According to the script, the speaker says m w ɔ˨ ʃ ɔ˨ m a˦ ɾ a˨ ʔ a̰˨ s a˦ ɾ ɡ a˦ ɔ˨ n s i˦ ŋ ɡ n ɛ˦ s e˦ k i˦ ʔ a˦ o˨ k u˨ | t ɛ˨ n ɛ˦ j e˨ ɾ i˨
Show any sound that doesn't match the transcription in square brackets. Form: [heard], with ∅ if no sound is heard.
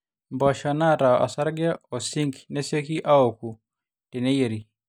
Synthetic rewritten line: m [b] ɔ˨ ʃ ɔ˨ [n] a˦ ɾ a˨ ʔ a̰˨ s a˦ ɾ ɡ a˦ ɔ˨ [∅] s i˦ ŋ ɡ n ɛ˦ s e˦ k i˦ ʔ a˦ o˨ k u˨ | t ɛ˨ n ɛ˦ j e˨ ɾ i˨